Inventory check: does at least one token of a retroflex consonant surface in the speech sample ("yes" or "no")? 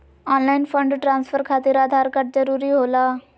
yes